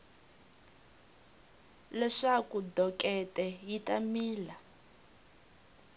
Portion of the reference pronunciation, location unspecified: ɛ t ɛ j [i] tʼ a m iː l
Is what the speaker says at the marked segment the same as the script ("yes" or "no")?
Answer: yes